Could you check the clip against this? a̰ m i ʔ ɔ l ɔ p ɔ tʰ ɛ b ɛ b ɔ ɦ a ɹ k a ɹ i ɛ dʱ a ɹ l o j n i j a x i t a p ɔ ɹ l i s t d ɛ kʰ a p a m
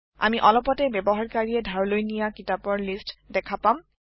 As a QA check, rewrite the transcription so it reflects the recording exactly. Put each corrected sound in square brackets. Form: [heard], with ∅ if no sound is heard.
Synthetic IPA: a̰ m i ʔ ɔ l ɔ p ɔ [t] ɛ b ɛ b ɔ ɦ a ɹ k a ɹ i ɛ dʱ a ɹ l o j n i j a [k] i t a p ɔ ɹ l i s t d ɛ kʰ a p a m